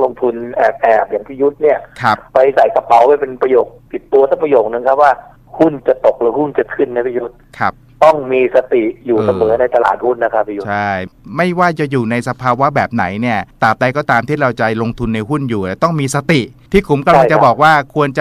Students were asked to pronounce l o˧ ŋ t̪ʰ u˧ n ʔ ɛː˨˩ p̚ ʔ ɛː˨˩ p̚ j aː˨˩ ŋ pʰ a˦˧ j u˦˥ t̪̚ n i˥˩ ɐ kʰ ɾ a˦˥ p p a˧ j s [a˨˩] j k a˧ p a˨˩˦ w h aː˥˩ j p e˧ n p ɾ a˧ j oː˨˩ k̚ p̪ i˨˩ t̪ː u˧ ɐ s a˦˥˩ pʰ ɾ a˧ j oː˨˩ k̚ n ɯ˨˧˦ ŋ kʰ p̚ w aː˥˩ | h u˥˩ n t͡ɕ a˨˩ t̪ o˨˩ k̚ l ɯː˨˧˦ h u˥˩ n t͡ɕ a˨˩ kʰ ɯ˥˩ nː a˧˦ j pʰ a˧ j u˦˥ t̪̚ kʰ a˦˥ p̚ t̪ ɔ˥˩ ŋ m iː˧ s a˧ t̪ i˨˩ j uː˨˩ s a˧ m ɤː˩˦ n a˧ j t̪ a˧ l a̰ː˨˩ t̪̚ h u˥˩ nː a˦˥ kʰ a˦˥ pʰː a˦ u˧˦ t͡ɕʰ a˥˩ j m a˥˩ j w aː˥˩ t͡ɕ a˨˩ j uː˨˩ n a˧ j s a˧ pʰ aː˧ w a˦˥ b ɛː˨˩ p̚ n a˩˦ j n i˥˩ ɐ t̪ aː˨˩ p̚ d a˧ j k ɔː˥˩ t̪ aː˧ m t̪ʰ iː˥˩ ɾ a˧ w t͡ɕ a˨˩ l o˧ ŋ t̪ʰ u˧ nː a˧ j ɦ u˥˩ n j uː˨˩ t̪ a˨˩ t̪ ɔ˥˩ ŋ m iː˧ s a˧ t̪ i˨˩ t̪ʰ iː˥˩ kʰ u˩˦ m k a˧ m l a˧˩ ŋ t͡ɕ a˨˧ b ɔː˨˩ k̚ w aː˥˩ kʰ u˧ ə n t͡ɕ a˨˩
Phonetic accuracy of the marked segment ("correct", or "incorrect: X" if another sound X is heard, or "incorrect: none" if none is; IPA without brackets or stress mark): correct